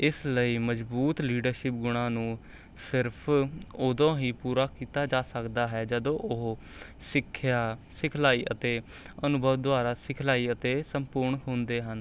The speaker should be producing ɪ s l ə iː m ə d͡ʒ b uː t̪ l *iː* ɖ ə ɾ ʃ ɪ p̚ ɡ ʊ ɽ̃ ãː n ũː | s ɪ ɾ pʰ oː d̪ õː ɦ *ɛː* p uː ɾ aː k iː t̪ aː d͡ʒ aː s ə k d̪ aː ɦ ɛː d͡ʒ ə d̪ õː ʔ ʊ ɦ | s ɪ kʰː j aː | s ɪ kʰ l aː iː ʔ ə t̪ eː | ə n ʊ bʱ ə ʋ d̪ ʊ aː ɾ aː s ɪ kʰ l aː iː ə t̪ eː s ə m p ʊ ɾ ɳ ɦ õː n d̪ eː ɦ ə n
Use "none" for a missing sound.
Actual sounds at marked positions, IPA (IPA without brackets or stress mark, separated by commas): iː, iː